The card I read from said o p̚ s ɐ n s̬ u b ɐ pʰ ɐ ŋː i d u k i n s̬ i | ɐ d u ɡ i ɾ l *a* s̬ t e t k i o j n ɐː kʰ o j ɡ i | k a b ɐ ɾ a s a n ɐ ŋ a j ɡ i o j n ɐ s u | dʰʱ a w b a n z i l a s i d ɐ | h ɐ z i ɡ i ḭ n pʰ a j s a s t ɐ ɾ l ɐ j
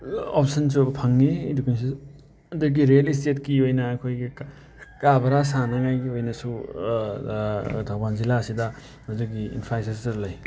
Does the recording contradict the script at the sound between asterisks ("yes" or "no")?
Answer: yes